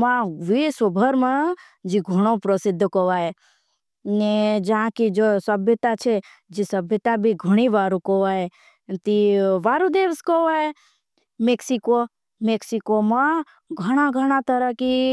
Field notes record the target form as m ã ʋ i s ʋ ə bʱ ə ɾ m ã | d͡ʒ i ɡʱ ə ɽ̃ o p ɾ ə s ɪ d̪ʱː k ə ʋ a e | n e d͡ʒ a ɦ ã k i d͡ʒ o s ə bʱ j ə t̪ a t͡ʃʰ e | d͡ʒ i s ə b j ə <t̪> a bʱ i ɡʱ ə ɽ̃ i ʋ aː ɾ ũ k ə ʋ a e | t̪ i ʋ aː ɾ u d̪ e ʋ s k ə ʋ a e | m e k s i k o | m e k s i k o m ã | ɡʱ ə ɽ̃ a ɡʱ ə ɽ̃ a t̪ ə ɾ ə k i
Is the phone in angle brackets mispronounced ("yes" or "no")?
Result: no